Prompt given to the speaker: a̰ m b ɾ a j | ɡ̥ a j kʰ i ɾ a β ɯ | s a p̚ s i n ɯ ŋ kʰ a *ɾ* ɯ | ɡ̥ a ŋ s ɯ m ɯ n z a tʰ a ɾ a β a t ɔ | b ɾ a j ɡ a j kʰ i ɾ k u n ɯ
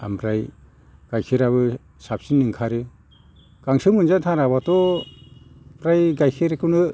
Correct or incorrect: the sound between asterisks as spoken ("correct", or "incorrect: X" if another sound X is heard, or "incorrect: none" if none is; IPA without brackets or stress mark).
correct